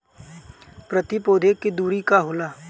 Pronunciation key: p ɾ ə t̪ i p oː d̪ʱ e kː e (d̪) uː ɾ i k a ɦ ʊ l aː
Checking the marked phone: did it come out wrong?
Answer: no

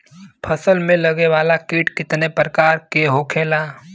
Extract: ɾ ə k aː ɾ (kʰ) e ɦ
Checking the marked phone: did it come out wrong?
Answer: yes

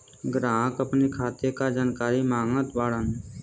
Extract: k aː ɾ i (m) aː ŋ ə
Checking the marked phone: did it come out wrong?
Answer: no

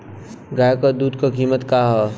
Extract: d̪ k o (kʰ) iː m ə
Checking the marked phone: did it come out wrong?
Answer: yes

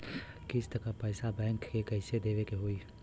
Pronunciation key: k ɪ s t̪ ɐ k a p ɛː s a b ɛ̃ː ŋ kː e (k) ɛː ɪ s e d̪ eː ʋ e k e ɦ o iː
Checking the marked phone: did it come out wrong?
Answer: no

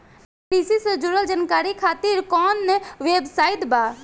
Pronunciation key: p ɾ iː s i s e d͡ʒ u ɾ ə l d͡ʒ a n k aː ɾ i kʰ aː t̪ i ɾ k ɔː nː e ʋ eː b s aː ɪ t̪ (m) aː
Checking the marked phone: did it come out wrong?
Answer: yes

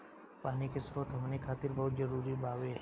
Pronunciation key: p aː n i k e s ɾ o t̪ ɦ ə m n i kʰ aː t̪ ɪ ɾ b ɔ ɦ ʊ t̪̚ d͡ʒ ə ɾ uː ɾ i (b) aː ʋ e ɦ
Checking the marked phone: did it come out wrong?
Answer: no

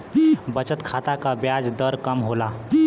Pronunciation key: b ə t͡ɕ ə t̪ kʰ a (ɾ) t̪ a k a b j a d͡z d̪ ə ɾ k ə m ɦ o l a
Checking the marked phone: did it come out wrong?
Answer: yes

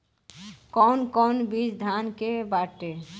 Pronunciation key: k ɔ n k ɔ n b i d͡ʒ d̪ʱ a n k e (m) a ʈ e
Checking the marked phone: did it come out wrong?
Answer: yes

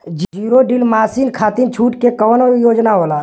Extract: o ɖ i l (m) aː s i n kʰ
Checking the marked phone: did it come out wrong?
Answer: no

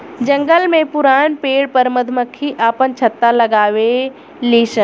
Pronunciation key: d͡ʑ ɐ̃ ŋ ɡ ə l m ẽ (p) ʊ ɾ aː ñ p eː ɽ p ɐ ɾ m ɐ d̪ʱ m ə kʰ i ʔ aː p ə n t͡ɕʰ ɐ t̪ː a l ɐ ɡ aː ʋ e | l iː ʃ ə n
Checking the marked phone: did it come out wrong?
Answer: no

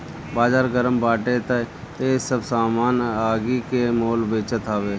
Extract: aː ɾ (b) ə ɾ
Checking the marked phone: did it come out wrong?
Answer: yes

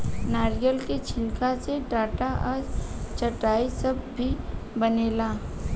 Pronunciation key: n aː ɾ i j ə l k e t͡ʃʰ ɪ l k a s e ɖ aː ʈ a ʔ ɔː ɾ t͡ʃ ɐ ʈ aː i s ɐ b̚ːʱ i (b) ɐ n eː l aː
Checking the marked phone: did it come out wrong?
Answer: no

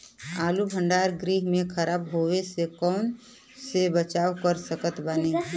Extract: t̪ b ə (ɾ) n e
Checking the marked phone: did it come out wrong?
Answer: yes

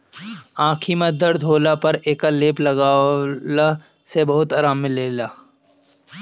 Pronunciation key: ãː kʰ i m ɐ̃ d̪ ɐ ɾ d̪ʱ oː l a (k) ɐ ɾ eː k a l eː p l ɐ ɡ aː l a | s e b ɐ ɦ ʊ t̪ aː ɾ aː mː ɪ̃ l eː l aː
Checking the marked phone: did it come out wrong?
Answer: yes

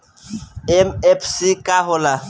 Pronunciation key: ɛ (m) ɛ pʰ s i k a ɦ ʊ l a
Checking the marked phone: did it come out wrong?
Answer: no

